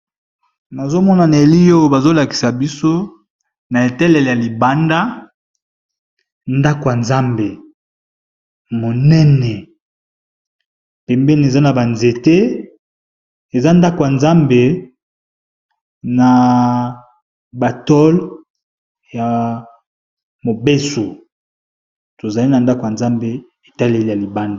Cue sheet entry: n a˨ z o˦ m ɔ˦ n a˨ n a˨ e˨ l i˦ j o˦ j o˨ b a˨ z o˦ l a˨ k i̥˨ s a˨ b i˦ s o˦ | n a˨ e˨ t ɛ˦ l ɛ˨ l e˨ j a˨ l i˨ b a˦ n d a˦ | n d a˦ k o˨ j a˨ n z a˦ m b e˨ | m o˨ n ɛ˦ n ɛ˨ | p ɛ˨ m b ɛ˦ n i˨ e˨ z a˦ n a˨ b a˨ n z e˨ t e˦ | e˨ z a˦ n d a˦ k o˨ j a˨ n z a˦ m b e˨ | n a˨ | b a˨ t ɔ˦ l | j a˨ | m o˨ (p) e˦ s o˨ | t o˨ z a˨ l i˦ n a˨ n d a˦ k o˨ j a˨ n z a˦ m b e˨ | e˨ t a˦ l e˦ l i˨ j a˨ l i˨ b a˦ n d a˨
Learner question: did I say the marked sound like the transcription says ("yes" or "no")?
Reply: no